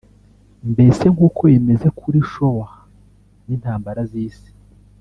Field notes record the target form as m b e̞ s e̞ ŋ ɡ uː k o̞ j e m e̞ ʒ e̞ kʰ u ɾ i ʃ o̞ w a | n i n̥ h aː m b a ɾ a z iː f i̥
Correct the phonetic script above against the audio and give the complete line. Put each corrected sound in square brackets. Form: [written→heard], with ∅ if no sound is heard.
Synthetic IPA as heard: m b e̞ s e̞ ŋ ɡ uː k o̞ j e m e̞ [ʒ→z] e̞ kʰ u ɾ i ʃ o̞ w a | n i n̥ h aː m b a ɾ a z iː [f→s] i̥